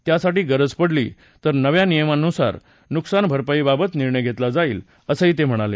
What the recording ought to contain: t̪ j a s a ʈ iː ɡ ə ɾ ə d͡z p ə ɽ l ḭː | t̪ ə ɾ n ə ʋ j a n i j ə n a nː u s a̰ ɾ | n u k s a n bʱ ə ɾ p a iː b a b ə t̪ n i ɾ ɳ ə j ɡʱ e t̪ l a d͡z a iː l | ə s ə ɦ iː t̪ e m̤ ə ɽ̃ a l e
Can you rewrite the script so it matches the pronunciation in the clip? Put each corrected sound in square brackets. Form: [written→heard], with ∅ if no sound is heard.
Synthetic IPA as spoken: t̪ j a s a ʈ iː ɡ ə ɾ ə d͡z p ə ɽ l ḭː | t̪ ə ɾ n ə ʋ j a n i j ə [n→m] a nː u s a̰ ɾ | n u k s a n bʱ ə ɾ p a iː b a b ə t̪ n i ɾ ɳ ə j ɡʱ e t̪ l a d͡z a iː l | ə s ə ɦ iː t̪ e m̤ ə ɽ̃ a l e